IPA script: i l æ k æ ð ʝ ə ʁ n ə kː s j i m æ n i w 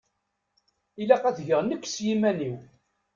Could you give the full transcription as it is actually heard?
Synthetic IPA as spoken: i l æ q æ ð ʝ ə ʁ n ə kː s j i m æ n i w